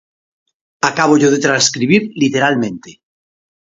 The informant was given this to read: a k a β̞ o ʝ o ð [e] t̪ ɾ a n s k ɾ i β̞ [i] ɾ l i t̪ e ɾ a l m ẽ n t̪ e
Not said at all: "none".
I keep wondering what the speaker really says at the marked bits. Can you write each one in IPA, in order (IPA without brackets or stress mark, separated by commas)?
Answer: e, i